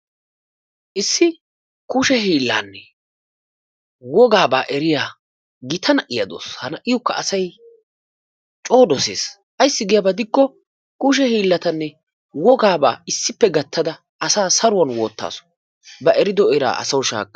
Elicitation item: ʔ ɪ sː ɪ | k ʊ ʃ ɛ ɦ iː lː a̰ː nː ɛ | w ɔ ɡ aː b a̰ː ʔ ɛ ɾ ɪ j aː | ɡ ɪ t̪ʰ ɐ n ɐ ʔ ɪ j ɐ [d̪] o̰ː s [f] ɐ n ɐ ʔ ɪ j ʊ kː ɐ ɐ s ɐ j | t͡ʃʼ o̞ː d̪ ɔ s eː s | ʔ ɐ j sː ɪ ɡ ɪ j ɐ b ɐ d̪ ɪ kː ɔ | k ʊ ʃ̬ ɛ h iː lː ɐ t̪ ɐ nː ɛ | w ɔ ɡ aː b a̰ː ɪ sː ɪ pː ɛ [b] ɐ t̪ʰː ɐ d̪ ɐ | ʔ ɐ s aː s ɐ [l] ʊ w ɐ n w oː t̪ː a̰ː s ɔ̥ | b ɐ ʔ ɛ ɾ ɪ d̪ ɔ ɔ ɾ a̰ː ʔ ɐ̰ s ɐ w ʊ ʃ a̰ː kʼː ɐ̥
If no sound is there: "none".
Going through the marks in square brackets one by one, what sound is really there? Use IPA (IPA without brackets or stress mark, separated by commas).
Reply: d̪, h, ɡ, ɾ